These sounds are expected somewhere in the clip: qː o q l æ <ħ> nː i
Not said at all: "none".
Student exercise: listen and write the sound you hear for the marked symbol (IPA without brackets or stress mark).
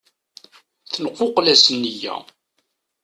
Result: s